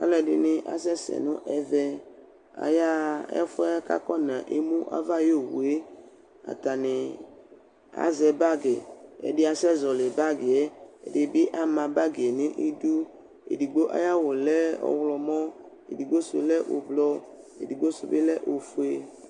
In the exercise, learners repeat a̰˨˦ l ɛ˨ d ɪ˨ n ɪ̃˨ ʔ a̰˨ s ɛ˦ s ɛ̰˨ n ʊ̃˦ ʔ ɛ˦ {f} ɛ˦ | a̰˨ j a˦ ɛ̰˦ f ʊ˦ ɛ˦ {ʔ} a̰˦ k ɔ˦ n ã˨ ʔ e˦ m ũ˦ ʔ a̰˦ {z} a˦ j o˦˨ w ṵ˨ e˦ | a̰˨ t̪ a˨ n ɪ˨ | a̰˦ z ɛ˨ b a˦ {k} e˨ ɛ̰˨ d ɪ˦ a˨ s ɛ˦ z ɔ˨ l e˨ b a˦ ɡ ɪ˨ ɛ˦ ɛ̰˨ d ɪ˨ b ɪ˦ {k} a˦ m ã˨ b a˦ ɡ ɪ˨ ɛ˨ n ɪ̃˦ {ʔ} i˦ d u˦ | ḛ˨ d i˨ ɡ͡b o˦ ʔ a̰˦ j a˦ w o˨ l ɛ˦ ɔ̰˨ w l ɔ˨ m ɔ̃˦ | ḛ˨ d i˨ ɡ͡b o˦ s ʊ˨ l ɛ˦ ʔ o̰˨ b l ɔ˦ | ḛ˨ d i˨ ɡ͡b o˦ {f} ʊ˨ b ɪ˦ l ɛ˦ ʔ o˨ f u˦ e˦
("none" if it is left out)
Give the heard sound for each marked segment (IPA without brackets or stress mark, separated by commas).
v, k, v, ɡ, ʔ, ʔ, s